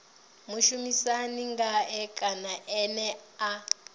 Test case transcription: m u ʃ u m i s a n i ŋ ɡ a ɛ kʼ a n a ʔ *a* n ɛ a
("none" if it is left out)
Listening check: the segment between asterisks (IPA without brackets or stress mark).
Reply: ɛ